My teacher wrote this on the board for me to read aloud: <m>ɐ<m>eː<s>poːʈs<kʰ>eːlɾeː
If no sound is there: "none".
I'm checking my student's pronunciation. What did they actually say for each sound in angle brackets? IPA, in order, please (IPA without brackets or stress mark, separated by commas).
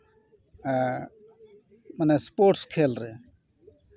m, n, s, kʰ